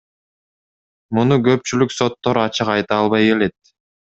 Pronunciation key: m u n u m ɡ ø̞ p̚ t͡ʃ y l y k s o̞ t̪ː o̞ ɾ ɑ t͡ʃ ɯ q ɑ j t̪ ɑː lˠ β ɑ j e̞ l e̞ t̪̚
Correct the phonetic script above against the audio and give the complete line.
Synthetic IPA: m u n u ɡ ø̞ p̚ t͡ʃ y l y k s o̞ t̪ː o̞ ɾ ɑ t͡ʃ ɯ q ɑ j t̪ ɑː lˠ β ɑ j e̞ l e̞ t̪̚